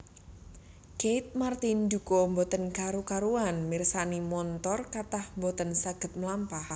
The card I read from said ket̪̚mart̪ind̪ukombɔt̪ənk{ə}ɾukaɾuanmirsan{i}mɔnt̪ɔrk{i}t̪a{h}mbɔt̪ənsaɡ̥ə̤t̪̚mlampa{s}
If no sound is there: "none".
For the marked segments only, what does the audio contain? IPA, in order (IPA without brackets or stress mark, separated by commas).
a, i, a, h, h